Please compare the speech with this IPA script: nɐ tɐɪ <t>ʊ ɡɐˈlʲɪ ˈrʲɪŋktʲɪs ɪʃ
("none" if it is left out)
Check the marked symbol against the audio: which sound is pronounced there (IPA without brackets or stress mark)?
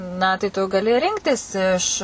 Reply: t